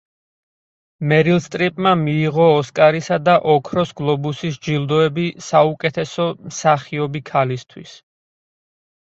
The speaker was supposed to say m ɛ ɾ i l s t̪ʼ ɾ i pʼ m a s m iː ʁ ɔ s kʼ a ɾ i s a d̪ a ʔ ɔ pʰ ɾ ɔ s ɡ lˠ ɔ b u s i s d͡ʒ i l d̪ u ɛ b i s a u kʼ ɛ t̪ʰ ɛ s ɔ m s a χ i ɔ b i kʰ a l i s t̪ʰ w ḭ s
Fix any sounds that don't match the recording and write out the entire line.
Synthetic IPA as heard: m ɛ ɾ i l s t̪ʼ ɾ i pʼ m a m iː ʁ ɔː s kʼ a ɾ i s a d̪ a ʔ ɔ kʰ ɾ ɔ s ɡ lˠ ɔ b u s i s d͡ʒ i l d̪ ɔ ɛ b i s a u kʼ ɛ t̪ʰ ɛ s ɔ m s a χ i ɔ b i kʰ a l i s t̪ʰ w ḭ s